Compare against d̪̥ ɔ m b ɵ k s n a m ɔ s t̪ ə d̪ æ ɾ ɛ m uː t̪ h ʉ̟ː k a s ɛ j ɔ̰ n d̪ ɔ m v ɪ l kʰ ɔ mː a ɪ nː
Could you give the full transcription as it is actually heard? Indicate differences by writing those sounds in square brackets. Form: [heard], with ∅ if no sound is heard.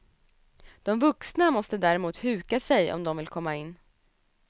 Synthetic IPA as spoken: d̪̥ ɔ m [v] ɵ k s n a m ɔ s t̪ ə d̪ æ ɾ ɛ m uː t̪ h ʉ̟ː k a s ɛ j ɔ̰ [m] d̪ ɔ m v ɪ l kʰ ɔ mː a ɪ nː

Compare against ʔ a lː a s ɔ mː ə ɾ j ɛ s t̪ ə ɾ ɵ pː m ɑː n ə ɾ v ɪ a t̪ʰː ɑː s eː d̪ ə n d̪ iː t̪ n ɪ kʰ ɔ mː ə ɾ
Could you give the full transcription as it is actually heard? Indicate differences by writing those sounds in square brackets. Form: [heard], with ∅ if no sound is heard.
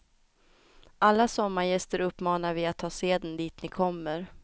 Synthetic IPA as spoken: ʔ a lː a s ɔ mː [a] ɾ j ɛ s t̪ ə ɾ ɵ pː m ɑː n [a] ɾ v ɪ a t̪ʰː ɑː s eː d̪ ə n d̪ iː t̪ n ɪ kʰ ɔ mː ə ɾ

